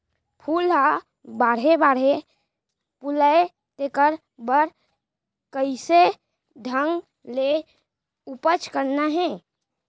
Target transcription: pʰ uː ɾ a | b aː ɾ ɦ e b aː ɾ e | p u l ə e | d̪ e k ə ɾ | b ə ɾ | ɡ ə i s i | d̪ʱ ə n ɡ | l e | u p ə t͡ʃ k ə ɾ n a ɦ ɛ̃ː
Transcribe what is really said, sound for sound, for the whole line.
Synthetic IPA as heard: pʰ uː l a | b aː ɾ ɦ e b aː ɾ e | p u l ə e | t̪ e k ə ɾ | b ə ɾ | k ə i s e | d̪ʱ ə ŋ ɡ | l e | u p ə t͡ʃ k ə ɾ n a ɦ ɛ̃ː